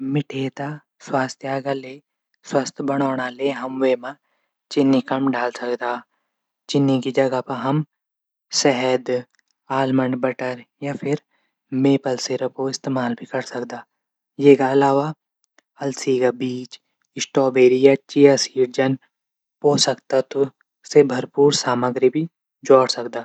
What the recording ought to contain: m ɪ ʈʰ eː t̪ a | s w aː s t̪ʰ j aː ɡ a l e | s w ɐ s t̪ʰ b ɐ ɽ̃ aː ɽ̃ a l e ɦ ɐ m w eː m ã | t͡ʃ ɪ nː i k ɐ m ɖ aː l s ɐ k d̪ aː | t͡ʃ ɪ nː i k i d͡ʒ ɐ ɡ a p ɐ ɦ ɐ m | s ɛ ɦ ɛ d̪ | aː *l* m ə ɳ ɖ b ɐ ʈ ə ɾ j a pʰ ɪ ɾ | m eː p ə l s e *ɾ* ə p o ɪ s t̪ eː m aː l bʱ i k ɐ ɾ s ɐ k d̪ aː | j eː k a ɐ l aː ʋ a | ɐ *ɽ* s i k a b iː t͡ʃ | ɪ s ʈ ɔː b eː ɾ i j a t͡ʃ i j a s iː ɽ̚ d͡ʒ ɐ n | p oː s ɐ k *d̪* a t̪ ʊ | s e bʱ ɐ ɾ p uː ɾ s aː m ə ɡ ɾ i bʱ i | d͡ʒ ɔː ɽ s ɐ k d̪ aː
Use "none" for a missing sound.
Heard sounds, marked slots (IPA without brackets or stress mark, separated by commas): l, ɾ, l, t̪